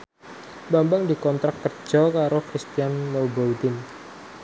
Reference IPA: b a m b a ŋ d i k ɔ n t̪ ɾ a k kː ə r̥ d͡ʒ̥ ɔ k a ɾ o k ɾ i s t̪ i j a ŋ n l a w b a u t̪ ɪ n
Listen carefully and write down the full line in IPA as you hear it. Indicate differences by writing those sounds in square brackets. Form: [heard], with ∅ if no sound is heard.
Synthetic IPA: b a m b a ŋ d i k ɔ n t̪ ɾ a k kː ə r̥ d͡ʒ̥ ɔ k a ɾ o k ɾ i s t̪ i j a [∅] n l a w b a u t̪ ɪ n